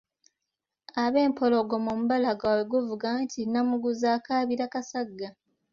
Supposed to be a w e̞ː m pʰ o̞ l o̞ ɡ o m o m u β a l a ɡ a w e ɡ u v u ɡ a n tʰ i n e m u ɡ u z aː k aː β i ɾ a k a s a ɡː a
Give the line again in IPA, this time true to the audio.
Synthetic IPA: a β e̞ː m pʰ o̞ l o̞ ɡ o m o m u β a l a ɡ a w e ɡ u v u ɡ a n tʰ i n a m u ɡ u z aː k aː β i ɾ a k a s a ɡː a